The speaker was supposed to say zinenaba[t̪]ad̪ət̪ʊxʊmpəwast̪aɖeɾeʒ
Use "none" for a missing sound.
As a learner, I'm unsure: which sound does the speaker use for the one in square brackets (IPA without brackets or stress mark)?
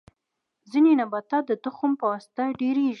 t̪